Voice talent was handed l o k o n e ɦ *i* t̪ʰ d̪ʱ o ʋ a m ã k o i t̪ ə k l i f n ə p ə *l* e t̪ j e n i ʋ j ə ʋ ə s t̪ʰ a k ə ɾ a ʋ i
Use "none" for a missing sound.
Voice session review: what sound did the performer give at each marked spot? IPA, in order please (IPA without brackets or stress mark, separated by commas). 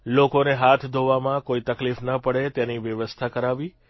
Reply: a, ɽ